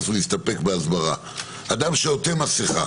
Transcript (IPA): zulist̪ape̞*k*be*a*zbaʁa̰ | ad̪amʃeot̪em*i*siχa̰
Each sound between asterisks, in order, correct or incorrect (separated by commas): correct, correct, incorrect